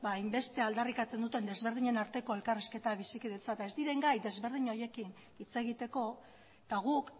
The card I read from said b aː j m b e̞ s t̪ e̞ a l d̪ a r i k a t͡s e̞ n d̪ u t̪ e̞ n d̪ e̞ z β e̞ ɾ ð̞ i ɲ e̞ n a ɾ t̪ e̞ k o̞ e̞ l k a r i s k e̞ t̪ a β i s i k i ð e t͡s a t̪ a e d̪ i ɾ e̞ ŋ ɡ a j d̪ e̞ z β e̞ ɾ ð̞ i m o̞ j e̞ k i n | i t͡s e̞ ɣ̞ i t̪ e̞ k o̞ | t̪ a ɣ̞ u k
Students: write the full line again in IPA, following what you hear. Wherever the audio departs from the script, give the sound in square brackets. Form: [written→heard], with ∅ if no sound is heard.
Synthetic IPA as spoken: b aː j m b e̞ s t̪ e̞ a l d̪ a r i k a t͡s e̞ n d̪ u t̪ e̞ n d̪ e̞ z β e̞ ɾ ð̞ i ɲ e̞ n a ɾ t̪ e̞ k o̞ e̞ l k a r i s k e̞ t̪ a β i s i k i ð e t͡s a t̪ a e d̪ i ɾ e̞ ŋ ɡ a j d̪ e̞ z β e̞ ɾ ð̞ i [m→ɲ] o̞ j e̞ k i n | i t͡s e̞ ɣ̞ i t̪ e̞ k o̞ | t̪ a ɣ̞ u k